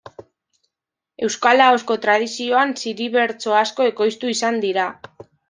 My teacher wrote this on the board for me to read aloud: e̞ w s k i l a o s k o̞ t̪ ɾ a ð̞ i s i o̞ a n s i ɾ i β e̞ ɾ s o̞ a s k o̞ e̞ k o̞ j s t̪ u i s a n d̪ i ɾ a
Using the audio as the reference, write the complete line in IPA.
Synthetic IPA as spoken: e̞ w s k a l a o s k o̞ t̪ ɾ a ð̞ i s i o̞ a n s i ɾ i β e̞ ɾ t͡s o̞ a s k o̞ e̞ k o̞ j s t̪ u i s a n d̪ i ɾ a